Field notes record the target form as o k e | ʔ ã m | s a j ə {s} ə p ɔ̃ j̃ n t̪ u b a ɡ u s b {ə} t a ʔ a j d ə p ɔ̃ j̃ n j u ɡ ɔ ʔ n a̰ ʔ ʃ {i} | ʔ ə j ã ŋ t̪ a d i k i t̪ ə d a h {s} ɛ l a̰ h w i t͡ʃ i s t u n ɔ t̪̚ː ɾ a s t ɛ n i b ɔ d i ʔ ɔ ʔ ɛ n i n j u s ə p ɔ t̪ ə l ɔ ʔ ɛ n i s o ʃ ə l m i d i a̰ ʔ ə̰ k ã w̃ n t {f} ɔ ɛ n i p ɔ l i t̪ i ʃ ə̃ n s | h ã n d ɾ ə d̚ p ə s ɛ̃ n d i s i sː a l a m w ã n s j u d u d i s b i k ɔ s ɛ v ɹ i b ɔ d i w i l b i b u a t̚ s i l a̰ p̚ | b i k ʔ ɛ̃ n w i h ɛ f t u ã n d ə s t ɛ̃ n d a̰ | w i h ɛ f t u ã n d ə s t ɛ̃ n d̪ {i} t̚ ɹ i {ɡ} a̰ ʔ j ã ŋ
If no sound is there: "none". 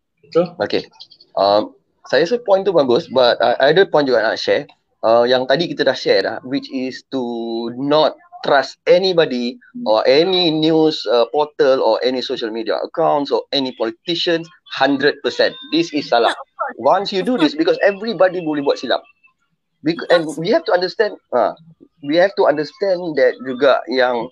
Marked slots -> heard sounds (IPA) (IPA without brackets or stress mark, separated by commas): s, a, ɛ, ʃ, s, ɛ, ɡ